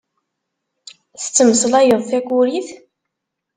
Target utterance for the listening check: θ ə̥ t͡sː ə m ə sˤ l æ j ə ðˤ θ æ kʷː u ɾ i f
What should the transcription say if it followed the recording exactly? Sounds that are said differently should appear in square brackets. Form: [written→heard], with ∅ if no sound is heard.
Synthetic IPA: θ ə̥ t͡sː ə m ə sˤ l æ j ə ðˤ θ æ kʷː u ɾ i [f→θ]